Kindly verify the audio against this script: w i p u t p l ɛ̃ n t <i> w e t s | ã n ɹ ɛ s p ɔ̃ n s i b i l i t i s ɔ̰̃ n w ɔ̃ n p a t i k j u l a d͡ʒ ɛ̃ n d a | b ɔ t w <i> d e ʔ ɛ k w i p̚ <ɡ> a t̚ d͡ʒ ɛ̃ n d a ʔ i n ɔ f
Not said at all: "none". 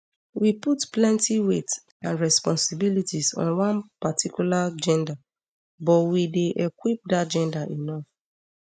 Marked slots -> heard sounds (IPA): i, i, d

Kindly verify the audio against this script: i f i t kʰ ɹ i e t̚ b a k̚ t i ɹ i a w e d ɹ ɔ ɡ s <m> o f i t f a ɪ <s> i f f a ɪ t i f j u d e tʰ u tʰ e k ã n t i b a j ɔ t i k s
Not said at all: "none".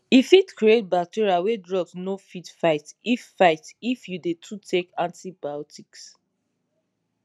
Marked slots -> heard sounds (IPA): n, t

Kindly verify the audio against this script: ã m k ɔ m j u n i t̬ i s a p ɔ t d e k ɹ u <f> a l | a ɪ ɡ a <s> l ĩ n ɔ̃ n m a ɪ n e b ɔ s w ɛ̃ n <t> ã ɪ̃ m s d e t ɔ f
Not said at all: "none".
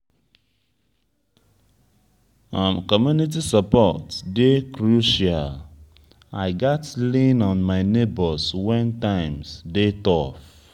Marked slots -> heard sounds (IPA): ʃ, t, t

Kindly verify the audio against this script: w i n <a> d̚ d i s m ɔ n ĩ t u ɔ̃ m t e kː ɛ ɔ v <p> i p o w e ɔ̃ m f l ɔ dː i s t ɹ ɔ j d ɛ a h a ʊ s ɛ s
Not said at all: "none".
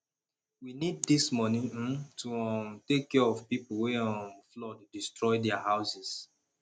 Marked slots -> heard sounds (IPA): i, p

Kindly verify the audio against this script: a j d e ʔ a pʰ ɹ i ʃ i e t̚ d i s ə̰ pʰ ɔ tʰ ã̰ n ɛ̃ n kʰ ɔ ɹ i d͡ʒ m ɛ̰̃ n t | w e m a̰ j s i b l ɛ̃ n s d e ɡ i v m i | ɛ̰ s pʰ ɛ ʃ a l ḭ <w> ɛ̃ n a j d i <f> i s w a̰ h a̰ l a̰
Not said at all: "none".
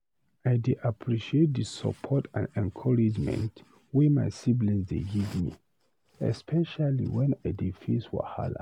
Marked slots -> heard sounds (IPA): w, f

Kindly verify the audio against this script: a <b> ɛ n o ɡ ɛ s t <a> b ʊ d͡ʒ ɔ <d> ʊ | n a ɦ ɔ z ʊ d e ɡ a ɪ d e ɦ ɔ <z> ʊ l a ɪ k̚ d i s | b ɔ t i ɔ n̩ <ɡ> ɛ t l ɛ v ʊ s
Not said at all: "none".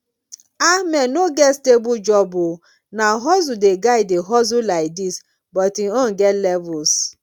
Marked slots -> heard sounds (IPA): m, e, b, z, ɡ

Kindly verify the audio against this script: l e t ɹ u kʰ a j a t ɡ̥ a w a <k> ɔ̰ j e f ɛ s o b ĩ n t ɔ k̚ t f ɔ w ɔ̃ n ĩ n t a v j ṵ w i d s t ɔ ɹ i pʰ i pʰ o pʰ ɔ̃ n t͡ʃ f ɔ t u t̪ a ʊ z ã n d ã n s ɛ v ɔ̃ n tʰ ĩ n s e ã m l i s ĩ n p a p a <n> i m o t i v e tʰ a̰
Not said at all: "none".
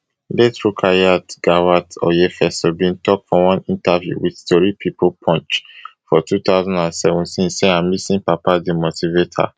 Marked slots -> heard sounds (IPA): t, d

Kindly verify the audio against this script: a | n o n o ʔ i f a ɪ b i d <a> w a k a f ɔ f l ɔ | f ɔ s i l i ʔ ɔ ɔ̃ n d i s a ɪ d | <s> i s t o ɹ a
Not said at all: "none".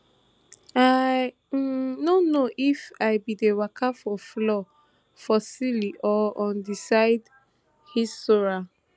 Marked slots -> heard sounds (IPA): e, h

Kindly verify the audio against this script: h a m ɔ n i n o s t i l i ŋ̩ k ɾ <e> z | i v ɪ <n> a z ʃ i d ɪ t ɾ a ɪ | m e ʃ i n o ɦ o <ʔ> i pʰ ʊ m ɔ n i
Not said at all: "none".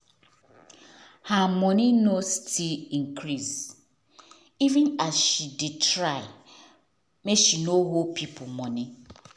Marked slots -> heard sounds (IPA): i, n, p

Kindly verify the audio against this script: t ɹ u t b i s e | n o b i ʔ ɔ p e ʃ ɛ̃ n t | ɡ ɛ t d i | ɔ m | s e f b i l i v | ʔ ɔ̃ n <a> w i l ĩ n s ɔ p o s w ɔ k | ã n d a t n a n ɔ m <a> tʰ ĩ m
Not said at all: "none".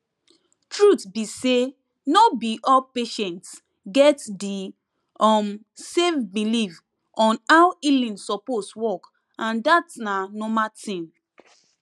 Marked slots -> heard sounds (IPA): a, a

